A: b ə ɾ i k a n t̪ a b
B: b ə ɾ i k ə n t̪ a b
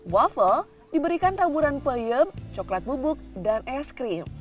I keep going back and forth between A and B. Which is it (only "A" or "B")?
A